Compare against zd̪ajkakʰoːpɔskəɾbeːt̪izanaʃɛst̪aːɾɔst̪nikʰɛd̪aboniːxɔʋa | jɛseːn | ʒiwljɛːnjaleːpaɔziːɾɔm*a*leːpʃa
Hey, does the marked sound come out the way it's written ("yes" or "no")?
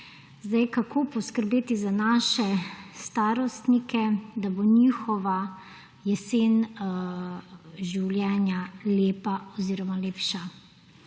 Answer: yes